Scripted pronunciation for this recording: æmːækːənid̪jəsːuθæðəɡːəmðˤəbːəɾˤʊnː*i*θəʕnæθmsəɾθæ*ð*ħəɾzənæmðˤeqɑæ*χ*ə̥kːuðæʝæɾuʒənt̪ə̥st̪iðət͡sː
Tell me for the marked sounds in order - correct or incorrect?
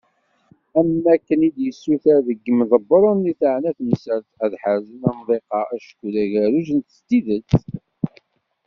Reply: correct, correct, incorrect

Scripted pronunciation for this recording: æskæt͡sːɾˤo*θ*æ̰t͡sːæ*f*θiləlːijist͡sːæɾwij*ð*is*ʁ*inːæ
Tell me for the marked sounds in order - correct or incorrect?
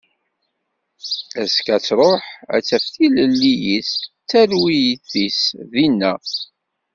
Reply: incorrect, correct, incorrect, incorrect

